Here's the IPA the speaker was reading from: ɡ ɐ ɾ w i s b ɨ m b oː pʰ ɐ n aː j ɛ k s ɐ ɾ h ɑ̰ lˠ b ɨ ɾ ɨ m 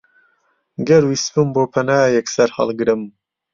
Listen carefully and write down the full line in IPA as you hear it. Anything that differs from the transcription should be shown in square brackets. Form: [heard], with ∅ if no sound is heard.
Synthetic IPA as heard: ɡ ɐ ɾ w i s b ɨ m b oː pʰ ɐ n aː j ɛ k s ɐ ɾ h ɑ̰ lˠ [ɡ] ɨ ɾ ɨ m